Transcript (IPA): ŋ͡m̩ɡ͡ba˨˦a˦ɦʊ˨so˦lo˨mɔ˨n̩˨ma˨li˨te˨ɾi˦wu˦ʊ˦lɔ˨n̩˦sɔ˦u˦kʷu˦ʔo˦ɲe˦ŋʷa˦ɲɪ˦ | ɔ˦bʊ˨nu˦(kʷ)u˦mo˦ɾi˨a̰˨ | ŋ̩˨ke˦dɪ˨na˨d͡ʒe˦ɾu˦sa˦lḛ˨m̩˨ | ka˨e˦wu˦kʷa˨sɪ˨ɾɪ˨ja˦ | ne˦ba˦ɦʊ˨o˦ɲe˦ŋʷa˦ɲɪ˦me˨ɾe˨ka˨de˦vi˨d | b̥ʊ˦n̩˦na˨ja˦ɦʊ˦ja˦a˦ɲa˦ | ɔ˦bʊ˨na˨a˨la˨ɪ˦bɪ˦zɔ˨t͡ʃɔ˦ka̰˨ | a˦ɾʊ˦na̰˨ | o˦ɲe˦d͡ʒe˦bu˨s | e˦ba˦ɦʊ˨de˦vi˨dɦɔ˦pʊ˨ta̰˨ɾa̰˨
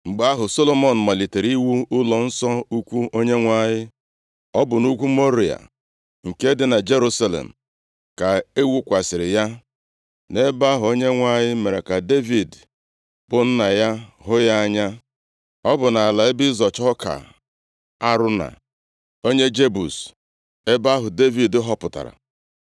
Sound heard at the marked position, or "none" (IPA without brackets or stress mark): kʷ